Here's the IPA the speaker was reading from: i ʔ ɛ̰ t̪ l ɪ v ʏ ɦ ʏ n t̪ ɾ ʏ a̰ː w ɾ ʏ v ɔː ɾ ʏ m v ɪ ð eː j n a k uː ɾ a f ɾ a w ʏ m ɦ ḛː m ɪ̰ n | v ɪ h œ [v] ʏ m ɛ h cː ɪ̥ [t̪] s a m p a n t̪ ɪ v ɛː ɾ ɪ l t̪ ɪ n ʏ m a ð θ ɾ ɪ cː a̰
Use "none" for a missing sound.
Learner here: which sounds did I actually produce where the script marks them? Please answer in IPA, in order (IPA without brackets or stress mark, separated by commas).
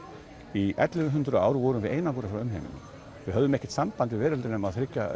ð, t̪